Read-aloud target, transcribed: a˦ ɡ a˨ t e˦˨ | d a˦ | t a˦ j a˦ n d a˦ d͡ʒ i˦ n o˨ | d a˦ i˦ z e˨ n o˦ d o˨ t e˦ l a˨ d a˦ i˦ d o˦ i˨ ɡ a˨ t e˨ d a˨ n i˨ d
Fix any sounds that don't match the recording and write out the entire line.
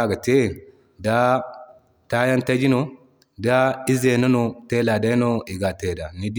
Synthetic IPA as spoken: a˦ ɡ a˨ t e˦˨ | d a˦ | t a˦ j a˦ n t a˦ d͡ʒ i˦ n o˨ | d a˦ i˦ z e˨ n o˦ n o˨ t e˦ l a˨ d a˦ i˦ n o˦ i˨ ɡ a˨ t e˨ d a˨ n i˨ d

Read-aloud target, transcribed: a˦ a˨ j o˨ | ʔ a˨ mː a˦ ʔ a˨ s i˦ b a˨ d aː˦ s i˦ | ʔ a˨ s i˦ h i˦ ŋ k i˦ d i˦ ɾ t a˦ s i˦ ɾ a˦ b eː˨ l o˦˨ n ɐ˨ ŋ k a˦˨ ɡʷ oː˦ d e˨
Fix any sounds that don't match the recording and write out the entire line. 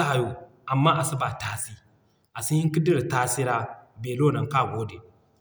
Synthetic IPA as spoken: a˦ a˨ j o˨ | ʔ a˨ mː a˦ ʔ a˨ s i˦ b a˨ t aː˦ s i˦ | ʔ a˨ s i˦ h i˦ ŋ k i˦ d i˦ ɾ t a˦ s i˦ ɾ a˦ b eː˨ l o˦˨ n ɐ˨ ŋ k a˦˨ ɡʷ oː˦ d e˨

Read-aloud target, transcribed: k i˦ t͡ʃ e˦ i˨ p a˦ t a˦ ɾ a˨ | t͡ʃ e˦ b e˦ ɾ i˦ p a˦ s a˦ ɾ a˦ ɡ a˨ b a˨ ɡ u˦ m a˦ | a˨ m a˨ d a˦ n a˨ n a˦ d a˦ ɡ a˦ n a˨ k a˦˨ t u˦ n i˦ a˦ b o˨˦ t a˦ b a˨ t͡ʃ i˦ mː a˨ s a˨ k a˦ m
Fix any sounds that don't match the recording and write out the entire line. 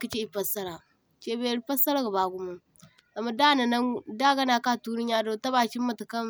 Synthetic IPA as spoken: k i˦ t͡ʃ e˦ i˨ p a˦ s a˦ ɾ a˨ | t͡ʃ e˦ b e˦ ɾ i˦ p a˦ s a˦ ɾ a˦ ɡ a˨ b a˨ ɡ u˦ m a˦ | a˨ m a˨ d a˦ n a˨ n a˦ d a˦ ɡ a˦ n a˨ k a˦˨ t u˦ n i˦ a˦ d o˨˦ t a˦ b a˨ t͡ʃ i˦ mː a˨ t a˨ k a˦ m

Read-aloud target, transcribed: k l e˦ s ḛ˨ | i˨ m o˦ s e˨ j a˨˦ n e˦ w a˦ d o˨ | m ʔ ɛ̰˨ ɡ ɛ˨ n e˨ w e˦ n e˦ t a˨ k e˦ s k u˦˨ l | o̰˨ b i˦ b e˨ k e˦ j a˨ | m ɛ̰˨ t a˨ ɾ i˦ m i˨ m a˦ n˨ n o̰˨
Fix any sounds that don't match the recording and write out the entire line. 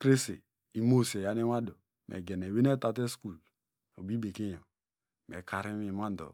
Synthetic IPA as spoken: k ɾ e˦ s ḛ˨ | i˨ m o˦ s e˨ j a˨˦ n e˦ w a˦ d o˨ | m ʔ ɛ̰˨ ɡ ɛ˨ n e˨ w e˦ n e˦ t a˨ t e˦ s k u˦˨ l | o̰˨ b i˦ b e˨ k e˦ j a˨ | m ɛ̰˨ k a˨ ɾ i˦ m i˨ m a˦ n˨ d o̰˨

